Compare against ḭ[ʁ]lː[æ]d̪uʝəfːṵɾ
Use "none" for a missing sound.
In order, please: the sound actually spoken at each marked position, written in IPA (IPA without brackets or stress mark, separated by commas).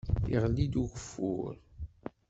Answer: ʁ, i